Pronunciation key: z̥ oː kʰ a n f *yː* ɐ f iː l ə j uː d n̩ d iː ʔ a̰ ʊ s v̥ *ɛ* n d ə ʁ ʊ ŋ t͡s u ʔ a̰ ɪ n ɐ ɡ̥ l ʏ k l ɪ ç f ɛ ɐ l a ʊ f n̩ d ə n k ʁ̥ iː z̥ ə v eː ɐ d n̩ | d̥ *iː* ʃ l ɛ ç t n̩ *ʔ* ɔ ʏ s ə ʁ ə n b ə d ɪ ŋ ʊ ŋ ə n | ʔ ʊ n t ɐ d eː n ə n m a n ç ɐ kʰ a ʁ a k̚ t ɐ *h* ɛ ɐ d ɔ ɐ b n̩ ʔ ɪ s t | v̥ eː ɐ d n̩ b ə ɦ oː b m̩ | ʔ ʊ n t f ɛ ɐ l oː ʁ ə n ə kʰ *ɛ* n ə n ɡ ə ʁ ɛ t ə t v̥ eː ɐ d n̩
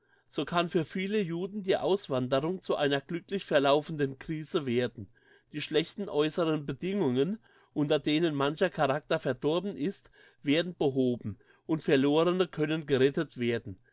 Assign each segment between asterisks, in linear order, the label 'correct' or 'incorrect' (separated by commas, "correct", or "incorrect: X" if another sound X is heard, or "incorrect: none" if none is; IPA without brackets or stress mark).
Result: correct, incorrect: a, correct, correct, incorrect: f, incorrect: œ